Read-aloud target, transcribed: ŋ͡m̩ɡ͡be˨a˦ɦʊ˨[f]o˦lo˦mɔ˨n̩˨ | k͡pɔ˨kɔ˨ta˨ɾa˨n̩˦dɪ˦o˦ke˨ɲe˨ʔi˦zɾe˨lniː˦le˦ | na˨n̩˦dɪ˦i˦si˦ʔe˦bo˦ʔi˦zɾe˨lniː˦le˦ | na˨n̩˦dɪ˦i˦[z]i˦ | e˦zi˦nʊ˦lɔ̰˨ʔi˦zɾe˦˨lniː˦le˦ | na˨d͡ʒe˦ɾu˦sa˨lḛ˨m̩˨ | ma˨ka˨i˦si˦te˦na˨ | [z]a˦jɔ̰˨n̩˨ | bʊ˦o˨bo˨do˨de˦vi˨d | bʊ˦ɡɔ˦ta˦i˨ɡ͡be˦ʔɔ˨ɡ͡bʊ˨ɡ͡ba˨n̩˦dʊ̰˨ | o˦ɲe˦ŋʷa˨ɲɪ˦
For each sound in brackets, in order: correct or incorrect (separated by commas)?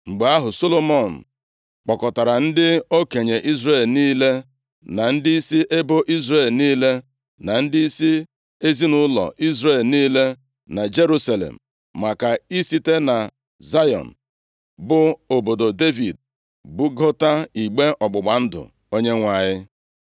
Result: incorrect, incorrect, correct